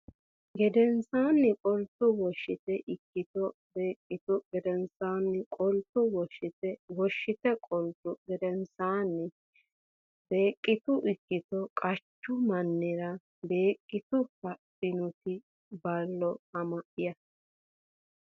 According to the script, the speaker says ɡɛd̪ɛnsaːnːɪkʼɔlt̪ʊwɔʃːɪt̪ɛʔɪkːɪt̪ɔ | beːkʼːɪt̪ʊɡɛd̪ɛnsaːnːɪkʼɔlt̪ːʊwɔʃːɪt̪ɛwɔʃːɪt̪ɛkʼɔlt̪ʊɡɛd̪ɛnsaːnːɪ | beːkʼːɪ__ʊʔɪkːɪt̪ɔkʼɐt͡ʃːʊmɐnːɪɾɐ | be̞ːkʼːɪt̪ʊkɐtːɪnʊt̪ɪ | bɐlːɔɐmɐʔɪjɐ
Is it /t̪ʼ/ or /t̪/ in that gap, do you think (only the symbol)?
t̪